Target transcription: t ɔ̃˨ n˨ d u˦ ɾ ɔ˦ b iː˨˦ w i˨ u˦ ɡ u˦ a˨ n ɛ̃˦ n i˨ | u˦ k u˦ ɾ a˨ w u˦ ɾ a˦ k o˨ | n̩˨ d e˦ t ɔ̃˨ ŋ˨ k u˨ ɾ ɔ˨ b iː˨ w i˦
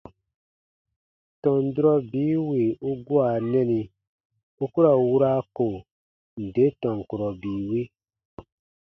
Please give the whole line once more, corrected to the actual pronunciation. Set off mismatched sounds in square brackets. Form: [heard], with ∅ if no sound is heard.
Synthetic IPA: t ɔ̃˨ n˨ d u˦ ɾ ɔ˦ b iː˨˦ w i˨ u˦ ɡ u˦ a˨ n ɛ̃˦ n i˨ | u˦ k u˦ ɾ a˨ w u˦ ɾ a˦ k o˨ | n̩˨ d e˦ t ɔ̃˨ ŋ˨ k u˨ ɾ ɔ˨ b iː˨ w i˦